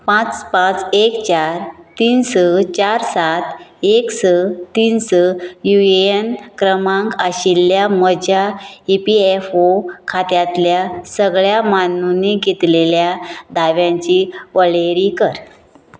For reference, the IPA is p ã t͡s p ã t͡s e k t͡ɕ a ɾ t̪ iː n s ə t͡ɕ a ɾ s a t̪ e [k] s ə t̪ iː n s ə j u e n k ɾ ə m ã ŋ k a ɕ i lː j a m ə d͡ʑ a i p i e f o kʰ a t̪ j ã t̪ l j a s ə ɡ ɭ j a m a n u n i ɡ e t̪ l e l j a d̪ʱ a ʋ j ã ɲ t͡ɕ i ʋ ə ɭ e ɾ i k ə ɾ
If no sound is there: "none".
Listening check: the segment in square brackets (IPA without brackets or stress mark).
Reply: k